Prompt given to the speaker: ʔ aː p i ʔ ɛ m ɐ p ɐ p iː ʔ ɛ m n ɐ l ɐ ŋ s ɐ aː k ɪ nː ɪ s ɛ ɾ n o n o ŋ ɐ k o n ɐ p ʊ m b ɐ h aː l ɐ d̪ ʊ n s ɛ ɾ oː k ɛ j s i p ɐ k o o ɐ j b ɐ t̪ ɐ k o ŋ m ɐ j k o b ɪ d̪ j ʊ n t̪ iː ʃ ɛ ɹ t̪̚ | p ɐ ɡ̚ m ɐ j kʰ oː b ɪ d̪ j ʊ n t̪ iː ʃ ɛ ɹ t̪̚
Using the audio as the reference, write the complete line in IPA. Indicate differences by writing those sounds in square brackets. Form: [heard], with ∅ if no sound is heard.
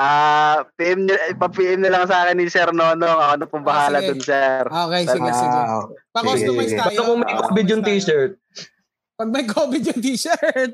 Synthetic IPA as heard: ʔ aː p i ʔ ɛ m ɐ p ɐ p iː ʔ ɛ m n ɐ l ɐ ŋ s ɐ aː k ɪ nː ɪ s ɛ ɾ n o n o ŋ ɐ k o n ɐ p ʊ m b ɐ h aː l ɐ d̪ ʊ n s ɛ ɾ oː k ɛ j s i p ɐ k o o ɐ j b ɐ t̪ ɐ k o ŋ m ɐ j k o b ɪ d̪ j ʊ n t̪ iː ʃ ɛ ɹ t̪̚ | p ɐ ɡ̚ m ɐ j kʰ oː b ɪ d̪ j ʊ n t̪ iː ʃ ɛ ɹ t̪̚